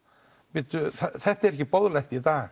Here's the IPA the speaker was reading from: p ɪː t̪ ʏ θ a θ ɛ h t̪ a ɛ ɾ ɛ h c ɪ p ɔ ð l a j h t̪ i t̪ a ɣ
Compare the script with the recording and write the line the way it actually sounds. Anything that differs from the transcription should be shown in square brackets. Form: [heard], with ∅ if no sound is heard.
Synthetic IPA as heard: p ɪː t̪ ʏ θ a θ ɛ h t̪ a ɛ ɾ ɛ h c ɪ p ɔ ð l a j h t̪ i t̪ a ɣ